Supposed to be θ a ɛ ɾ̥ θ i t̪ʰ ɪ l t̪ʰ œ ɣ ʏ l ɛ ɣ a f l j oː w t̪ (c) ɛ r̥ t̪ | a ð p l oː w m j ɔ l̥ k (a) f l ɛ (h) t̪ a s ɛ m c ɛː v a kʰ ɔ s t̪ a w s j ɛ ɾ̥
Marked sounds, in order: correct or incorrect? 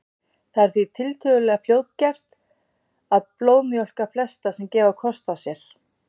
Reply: correct, correct, incorrect: s

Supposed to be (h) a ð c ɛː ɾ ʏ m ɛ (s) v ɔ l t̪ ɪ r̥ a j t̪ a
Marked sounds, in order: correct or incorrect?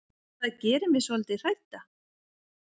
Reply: incorrect: θ, correct

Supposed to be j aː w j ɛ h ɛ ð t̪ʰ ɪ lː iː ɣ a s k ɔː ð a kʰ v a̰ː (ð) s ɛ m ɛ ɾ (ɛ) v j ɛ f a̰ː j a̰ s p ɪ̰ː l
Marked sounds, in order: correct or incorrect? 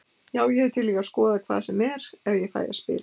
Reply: correct, correct

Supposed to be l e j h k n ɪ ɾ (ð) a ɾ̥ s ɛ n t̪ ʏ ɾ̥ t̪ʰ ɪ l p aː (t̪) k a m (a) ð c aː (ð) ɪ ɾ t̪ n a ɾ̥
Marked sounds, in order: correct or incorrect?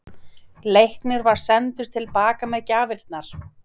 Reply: incorrect: v, incorrect: none, incorrect: ɛ, incorrect: v

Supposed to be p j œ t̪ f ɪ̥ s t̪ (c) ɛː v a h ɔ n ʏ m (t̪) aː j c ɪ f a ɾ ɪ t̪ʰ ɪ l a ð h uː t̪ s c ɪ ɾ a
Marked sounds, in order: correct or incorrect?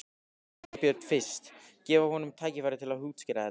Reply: correct, incorrect: t̪ʰ

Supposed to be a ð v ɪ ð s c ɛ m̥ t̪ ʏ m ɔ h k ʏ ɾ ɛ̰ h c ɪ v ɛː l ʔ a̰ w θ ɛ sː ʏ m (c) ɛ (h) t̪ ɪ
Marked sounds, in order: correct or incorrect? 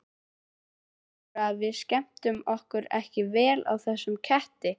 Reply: incorrect: cʰ, correct

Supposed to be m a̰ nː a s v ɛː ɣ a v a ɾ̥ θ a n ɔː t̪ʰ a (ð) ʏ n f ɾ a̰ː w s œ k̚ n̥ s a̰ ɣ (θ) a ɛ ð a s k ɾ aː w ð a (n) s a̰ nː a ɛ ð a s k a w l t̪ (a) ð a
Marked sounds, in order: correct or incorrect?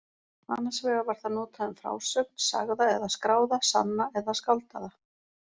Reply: correct, incorrect: ð, incorrect: none, correct

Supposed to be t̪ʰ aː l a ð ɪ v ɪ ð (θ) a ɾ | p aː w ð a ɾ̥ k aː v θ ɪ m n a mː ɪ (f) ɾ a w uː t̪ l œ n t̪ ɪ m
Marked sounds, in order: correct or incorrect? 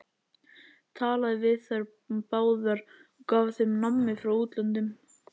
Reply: correct, correct

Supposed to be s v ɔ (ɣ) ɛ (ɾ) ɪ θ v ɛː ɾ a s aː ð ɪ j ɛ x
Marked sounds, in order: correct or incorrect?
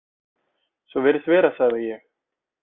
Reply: incorrect: v, correct

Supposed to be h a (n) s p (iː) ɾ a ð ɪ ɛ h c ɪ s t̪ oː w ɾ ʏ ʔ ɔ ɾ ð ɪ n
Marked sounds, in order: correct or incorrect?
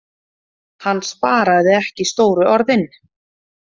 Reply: incorrect: nː, incorrect: aː

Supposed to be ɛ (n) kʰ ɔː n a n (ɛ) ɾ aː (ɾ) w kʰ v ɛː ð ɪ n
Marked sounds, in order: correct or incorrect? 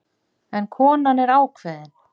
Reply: correct, correct, incorrect: none

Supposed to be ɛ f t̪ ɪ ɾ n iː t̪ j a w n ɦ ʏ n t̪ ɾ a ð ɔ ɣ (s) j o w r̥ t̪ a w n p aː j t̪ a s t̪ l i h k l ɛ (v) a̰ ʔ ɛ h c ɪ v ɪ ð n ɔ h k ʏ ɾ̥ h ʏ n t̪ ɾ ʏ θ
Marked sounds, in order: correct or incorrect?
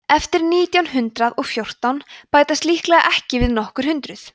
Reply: incorrect: f, incorrect: ɣ

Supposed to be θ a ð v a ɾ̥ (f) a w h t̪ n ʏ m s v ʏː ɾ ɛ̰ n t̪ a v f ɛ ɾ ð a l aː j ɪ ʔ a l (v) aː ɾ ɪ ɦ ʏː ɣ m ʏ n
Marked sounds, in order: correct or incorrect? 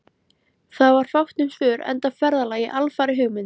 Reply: correct, incorrect: f

